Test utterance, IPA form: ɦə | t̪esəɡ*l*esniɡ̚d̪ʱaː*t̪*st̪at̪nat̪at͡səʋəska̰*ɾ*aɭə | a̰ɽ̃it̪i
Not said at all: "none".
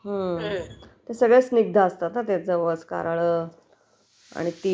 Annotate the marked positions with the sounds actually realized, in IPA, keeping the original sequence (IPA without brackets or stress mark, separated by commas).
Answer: ɭ, none, ɾ